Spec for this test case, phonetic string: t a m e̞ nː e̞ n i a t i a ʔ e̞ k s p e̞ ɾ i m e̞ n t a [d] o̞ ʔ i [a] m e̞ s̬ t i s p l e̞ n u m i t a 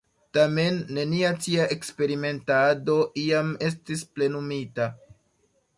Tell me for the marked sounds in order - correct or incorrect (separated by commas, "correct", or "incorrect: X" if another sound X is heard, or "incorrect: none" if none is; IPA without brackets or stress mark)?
correct, correct